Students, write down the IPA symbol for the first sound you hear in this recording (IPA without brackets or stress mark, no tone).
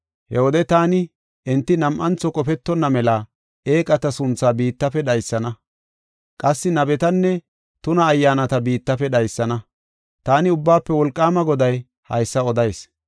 h